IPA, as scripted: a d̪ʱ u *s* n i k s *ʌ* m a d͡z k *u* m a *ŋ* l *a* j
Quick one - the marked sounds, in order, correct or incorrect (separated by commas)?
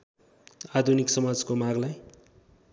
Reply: incorrect, correct, incorrect, incorrect, correct